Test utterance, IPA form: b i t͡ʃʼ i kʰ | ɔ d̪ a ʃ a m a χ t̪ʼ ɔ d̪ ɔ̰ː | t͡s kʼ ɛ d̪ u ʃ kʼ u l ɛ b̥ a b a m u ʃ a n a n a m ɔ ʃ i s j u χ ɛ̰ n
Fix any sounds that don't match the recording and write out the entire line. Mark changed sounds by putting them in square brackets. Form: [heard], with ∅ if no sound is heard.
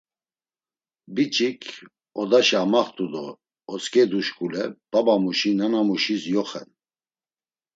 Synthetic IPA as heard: b i t͡ʃʼ i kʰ | ɔ d̪ a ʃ a m a χ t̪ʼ [u] d̪ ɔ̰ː | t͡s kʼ ɛ d̪ u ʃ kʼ u l ɛ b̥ a b a m u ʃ [i] n a n a m [u] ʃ i s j [ɔ] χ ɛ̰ n